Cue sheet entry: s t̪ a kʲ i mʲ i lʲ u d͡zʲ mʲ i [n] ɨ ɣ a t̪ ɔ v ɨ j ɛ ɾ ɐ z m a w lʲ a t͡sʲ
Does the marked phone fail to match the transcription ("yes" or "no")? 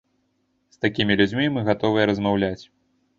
yes